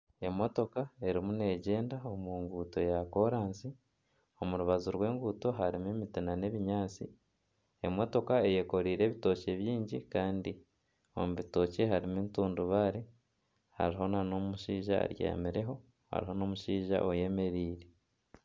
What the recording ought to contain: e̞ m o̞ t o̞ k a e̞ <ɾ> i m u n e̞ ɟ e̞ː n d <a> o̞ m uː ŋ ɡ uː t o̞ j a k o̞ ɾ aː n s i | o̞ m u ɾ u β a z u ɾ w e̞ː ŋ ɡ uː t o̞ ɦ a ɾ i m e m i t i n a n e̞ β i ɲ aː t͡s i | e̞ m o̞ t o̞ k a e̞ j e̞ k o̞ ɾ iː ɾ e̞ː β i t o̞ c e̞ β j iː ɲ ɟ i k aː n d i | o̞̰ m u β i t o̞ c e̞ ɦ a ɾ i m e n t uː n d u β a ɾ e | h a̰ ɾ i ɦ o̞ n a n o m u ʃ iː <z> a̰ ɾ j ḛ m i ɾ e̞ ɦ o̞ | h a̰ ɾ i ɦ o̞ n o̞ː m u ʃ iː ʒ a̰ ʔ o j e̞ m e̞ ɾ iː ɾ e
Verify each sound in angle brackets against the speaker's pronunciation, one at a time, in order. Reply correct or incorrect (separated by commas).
correct, correct, incorrect